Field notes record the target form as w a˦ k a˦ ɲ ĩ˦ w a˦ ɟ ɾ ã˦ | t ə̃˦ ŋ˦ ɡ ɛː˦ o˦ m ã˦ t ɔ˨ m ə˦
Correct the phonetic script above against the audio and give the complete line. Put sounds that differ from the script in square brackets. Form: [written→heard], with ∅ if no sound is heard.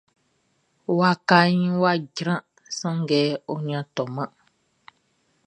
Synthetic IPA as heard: w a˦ k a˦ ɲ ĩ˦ w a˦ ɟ ɾ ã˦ | [t→s] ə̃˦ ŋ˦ ɡ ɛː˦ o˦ [m→ɲ] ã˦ t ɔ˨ m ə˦